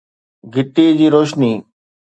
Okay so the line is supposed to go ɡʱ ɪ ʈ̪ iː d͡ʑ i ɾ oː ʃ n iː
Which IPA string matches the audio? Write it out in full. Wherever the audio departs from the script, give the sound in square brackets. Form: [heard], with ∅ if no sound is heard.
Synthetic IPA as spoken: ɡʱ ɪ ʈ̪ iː d͡ʑ [iː] ɾ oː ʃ n iː

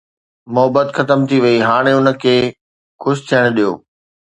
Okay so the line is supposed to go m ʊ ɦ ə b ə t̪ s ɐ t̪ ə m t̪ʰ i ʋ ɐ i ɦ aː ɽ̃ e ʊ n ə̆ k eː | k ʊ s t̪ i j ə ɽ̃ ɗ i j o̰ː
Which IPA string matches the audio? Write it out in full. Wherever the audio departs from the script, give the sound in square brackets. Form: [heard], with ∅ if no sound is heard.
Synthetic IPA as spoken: m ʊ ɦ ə b ə t̪ [x] ɐ t̪ ə m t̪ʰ i ʋ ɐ i ɦ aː ɽ̃ e ʊ n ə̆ [kʰ] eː | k ʊ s [t̪ʰ] i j ə ɽ̃ ɗ i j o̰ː

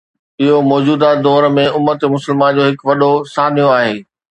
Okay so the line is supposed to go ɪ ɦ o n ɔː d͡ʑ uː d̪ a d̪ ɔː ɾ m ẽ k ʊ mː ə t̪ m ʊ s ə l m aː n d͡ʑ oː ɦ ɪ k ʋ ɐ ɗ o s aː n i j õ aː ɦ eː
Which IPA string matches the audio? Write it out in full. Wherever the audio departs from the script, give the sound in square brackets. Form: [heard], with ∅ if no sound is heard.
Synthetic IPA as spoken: ɪ ɦ o [m] ɔː d͡ʑ uː d̪ a d̪ ɔː ɾ m ẽ [∅] ʊ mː ə t̪ m ʊ s ə l m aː n d͡ʑ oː ɦ ɪ k ʋ ɐ ɗ o s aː n i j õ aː ɦ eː

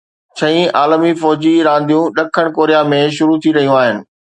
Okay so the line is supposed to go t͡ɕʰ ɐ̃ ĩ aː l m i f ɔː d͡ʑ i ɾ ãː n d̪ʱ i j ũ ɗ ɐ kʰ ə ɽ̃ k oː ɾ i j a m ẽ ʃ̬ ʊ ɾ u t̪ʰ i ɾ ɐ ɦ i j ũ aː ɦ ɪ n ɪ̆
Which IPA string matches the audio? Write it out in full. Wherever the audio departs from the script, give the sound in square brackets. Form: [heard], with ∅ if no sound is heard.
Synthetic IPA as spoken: t͡ɕʰ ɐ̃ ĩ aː l m i f ɔː d͡ʑ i ɾ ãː n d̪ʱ i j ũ ɗ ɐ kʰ ə ɽ̃ k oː ɾ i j a m ẽ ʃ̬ ʊ ɾ u t̪ʰ i ɾ ɐ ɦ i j ũ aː ɦ ɪ n ɪ̆

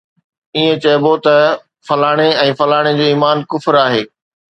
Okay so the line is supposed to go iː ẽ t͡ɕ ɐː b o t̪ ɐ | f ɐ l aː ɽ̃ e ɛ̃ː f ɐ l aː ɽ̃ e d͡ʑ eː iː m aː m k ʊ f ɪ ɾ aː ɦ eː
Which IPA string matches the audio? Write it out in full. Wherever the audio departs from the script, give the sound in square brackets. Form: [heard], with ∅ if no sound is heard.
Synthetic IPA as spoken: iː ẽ t͡ɕ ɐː b o t̪ ɐ | f ɐ l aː ɽ̃ e ɛ̃ː f ɐ l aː ɽ̃ e d͡ʑ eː iː m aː [n] k ʊ f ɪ ɾ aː ɦ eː

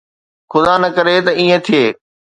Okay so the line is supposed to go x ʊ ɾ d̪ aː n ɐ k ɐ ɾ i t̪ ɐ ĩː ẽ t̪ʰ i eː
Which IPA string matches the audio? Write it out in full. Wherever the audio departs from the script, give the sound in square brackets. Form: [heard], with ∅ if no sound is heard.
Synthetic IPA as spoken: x ʊ [∅] d̪ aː n ɐ k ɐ ɾ [e] t̪ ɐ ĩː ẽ t̪ʰ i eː

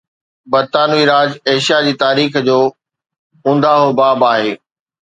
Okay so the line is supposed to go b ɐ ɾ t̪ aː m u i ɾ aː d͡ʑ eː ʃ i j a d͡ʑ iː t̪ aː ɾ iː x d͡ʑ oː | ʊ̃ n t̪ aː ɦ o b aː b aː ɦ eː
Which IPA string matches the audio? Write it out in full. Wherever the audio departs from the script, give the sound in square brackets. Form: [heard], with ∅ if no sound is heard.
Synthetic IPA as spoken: b ɐ ɾ t̪ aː [n] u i ɾ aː d͡ʑ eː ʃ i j a d͡ʑ iː t̪ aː ɾ iː x d͡ʑ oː | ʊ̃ n [d̪] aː ɦ o b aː b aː ɦ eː

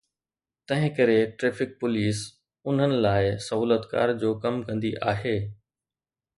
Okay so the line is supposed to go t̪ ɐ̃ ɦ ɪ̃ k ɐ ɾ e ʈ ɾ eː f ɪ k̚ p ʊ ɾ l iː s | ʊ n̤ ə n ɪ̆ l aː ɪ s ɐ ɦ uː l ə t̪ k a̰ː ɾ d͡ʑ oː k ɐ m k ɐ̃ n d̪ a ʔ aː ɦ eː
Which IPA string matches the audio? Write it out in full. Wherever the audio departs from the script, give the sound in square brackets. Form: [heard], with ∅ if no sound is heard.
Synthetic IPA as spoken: t̪ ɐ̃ ɦ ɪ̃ k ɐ ɾ e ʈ ɾ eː f ɪ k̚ p ʊ [∅] l iː s | ʊ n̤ ə n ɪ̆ l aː ɪ s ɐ ɦ uː l ə t̪ k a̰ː ɾ d͡ʑ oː k ɐ m k ɐ̃ n d̪ [i] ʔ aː ɦ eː

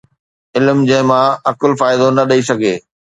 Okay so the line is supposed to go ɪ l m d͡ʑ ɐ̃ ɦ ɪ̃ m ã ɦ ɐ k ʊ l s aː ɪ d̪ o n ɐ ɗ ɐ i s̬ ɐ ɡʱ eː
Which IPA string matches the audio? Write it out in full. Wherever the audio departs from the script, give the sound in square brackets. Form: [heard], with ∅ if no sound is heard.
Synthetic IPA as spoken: ɪ l m d͡ʑ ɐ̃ ɦ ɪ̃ m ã [∅] ɐ k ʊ l [f] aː ɪ d̪ o n ɐ ɗ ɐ i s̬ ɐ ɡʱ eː

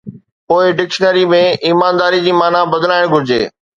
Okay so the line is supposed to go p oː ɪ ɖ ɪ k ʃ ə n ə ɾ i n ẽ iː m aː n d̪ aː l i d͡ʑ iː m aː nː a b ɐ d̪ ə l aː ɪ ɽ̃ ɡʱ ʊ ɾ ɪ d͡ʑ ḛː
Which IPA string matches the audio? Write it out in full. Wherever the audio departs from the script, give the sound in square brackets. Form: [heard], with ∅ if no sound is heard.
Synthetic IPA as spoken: p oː ɪ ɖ ɪ k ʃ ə n ə ɾ i [m] ẽ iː m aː n d̪ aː [ɾ] i d͡ʑ iː m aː [n] a b ɐ d̪ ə l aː ɪ ɽ̃ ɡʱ ʊ ɾ ɪ d͡ʑ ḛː

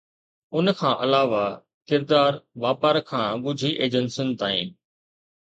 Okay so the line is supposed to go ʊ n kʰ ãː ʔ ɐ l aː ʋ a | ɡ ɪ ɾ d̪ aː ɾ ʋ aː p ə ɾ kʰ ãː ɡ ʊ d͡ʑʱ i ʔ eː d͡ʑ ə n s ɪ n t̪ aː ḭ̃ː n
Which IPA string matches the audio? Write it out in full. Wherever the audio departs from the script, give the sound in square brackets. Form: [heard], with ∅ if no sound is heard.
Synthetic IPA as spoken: ʊ n kʰ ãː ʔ ɐ l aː ʋ a | [k] ɪ ɾ d̪ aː ɾ ʋ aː p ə ɾ kʰ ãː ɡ ʊ d͡ʑʱ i ʔ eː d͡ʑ ə n s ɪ n t̪ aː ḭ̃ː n

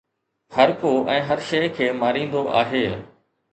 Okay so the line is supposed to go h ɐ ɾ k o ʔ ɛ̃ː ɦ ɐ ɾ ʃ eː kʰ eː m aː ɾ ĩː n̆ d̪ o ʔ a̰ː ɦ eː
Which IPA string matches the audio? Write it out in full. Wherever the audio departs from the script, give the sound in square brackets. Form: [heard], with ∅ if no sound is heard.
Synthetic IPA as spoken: h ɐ ɾ k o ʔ ɛ̃ː ɦ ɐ ɾ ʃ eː kʰ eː m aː ɾ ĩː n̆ d̪ o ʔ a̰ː ɦ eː

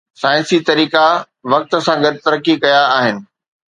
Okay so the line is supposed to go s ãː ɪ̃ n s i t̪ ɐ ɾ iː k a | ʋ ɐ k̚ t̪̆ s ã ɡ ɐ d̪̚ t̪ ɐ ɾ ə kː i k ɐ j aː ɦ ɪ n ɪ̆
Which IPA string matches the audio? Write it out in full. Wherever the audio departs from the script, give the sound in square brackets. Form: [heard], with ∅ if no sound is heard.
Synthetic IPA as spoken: s [aː] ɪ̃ n s i t̪ ɐ ɾ iː k a | ʋ ɐ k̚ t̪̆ s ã ɡ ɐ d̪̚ t̪ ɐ ɾ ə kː i k ɐ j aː ɦ ɪ n ɪ̆

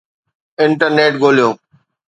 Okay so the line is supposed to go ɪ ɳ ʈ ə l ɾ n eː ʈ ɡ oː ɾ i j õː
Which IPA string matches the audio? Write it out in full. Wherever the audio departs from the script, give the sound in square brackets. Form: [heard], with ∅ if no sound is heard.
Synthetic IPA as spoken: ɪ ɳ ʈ ə [∅] ɾ n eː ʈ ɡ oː [l] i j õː

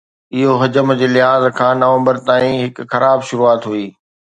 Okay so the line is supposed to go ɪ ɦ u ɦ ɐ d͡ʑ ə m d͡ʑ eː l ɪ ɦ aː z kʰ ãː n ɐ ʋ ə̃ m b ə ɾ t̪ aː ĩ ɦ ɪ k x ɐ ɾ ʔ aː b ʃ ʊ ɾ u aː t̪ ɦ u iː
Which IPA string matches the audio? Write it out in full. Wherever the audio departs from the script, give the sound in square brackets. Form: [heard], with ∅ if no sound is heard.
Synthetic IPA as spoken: ɪ ɦ [o] ɦ ɐ d͡ʑ ə m d͡ʑ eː l ɪ ɦ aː z kʰ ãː n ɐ ʋ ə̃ m b ə ɾ t̪ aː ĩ ɦ ɪ k x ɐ ɾ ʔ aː b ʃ ʊ ɾ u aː t̪ ɦ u iː

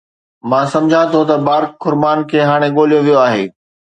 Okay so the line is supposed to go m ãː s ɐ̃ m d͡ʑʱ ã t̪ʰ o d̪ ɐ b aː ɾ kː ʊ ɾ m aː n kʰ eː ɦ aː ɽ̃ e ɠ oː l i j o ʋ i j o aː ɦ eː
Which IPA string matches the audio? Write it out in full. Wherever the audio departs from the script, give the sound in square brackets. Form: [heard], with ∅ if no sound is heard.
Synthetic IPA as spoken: m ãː s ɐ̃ m d͡ʑʱ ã t̪ʰ o [t̪] ɐ b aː ɾ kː ʊ ɾ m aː n kʰ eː ɦ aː ɽ̃ e ɠ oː l i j o ʋ i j o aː ɦ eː

